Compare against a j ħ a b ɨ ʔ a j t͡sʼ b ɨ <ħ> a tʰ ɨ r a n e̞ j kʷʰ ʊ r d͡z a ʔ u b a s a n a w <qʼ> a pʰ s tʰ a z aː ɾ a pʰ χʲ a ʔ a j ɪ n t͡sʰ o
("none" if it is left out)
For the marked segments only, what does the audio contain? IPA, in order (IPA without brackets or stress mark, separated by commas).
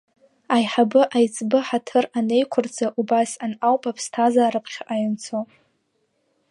ħ, pʼ